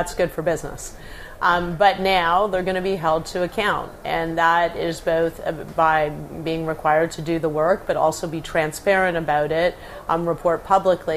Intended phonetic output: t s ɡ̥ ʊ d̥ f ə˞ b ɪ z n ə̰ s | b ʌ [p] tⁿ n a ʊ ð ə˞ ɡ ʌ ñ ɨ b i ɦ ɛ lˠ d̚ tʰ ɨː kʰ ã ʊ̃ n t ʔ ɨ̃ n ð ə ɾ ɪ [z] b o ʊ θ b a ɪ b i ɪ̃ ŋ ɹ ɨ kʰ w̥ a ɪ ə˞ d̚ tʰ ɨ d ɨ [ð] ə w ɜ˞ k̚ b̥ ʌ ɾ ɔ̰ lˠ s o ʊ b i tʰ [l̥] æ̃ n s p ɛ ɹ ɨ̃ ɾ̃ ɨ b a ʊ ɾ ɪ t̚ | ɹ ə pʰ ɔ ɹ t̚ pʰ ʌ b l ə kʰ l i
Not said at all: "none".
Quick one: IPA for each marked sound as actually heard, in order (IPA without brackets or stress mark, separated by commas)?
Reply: none, z, ð, ɹ̥